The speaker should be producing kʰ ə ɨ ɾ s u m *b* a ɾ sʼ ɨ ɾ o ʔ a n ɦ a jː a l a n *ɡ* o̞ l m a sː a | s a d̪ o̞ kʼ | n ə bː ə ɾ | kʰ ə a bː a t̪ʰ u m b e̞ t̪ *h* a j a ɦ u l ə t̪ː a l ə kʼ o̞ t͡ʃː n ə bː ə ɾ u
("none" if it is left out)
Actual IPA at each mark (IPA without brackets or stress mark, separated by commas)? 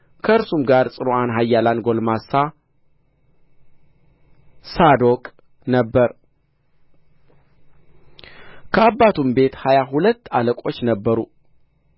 ɡ, ɡ, h